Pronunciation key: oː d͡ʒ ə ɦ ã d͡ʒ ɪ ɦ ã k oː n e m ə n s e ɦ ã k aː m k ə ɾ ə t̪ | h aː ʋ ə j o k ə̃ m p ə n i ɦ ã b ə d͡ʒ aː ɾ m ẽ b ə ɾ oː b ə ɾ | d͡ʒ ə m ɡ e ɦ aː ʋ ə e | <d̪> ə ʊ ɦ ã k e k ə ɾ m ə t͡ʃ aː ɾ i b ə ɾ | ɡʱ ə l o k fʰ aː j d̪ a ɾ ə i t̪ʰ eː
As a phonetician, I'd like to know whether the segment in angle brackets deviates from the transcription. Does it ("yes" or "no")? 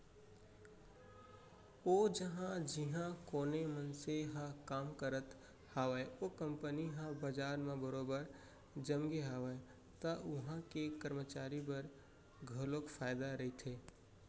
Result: yes